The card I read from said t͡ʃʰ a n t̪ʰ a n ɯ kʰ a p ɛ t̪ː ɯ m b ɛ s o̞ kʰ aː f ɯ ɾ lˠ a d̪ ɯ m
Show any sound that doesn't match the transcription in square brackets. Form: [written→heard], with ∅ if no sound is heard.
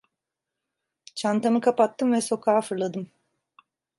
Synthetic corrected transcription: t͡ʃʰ a n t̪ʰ a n ɯ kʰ a p [ɛ→a] t̪ː ɯ m [b→v] ɛ s o̞ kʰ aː f ɯ ɾ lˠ a d̪ ɯ m